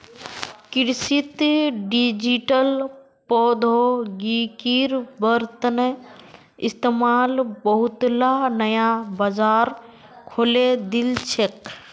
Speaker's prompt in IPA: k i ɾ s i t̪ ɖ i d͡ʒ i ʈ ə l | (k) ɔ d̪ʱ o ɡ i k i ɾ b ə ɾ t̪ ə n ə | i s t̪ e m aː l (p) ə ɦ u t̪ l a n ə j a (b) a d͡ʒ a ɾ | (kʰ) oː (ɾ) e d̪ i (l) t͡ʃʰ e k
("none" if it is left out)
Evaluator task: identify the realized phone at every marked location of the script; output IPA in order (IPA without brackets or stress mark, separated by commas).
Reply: p, b, b, kʰ, l, l